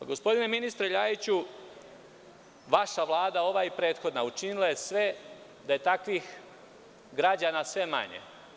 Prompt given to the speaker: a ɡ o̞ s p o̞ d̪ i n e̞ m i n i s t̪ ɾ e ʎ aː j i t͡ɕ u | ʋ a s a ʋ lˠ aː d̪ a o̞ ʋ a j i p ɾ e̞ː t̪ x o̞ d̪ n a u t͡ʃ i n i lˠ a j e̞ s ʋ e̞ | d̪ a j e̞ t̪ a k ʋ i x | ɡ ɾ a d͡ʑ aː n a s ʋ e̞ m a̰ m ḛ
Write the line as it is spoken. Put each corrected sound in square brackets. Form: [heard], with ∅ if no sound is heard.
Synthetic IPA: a ɡ o̞ s p o̞ d̪ i n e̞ m i n i s t̪ ɾ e ʎ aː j i t͡ɕ u | ʋ a [ʃ] a ʋ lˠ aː d̪ a o̞ ʋ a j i p ɾ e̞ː t̪ x o̞ d̪ n a u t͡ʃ i n i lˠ a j e̞ s ʋ e̞ | d̪ a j e̞ t̪ a k ʋ i x | ɡ ɾ a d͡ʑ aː n a s ʋ e̞ m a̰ [ɲ] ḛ